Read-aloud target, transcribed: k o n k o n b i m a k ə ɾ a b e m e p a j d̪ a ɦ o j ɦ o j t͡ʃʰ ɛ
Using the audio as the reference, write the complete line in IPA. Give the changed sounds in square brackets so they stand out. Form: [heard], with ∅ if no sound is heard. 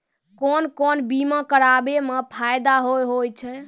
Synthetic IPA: k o n k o n b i m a k ə ɾ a b e m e [pʰ] a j d̪ a ɦ o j ɦ o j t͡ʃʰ ɛ